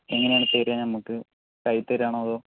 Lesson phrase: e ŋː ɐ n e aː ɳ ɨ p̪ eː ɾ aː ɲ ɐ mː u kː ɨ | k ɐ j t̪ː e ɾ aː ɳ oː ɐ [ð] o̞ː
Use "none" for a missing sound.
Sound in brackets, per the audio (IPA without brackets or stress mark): ð